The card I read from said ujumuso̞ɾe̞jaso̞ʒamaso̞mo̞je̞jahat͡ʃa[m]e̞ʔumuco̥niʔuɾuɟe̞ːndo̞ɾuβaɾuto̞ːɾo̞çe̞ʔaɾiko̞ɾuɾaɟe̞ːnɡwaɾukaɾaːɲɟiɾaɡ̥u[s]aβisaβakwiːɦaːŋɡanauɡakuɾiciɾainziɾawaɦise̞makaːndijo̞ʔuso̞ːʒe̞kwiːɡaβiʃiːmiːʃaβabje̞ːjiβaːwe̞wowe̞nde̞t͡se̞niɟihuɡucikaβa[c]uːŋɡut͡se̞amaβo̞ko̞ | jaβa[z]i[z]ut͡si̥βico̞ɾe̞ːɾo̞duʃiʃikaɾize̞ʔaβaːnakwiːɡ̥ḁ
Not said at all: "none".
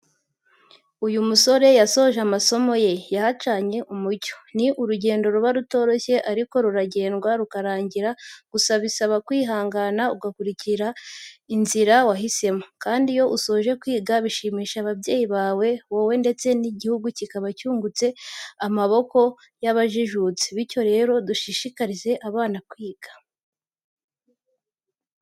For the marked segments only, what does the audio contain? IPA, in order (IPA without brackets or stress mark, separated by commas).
ɲ, s, c, ʒ, ʒ